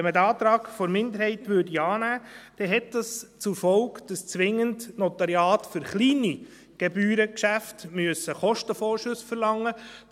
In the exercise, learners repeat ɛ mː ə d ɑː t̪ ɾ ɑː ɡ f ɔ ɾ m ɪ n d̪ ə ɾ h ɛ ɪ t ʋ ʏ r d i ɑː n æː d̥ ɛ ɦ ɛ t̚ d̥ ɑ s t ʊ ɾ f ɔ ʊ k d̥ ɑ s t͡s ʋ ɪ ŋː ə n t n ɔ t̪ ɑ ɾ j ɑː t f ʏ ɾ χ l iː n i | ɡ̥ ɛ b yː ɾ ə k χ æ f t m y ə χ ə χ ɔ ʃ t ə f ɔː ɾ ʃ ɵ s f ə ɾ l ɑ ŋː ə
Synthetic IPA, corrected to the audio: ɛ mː ə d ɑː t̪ ɾ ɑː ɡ f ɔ ɾ m ɪ n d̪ ə ɾ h ɛ ɪ t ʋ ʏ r d i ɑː n æː d̥ ɛ ɦ ɛ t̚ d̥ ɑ s t͡s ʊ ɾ f ɔ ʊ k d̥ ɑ s t͡s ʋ ɪ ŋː ə n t n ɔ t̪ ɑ ɾ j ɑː t f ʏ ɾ χ l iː n i | ɡ̥ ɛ b yː ɾ ə k ʃ æ f t m y ə s ə χ ɔ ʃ t ə f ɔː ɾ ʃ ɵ s f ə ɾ l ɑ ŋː ə